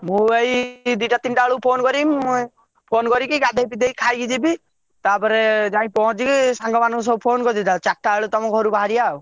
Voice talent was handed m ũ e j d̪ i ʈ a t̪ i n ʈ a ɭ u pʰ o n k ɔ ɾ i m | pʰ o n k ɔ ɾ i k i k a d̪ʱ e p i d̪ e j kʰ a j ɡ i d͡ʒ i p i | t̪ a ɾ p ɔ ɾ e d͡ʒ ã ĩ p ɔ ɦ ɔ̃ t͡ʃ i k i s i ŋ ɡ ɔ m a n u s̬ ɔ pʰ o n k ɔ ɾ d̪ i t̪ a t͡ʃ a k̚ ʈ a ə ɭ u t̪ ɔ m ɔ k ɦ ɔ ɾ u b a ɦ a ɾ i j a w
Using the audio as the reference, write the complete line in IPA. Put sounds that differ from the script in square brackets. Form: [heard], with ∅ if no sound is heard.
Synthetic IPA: m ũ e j d̪ i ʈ a t̪ i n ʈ a ɭ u pʰ o n k ɔ ɾ i m | pʰ o n k ɔ ɾ i k i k a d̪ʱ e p i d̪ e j kʰ a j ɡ i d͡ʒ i [b] i | t̪ a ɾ p ɔ ɾ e d͡ʒ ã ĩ p ɔ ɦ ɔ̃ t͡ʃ i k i s [a] ŋ ɡ ɔ m a n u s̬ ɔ pʰ o n k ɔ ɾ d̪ i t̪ a t͡ʃ a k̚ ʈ a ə ɭ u t̪ ɔ m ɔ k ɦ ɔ ɾ u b a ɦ a ɾ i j a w